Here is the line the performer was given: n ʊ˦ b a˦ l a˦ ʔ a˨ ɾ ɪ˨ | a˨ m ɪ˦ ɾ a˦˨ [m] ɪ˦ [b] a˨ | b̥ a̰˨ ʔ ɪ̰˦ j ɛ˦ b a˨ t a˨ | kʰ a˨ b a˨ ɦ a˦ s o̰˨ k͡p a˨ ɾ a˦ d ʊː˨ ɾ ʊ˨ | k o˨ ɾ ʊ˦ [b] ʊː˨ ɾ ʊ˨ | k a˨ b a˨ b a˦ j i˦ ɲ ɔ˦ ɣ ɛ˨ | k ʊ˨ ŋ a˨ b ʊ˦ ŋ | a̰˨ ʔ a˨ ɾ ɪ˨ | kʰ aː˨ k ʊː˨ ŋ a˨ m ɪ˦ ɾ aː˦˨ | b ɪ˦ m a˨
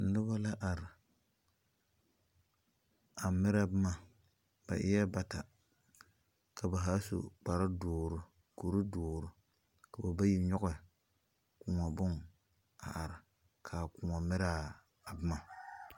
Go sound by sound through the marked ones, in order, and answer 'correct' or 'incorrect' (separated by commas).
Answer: incorrect, incorrect, incorrect